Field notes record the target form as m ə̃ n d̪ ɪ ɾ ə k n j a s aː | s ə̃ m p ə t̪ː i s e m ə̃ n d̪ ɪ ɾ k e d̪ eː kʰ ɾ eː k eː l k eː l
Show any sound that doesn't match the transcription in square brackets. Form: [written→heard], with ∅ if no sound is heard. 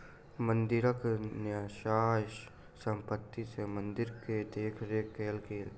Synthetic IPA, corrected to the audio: m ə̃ n d̪ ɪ ɾ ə k n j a [s→ʃ] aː | s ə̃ m p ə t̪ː i s e m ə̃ n d̪ ɪ ɾ k e d̪ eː kʰ ɾ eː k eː l k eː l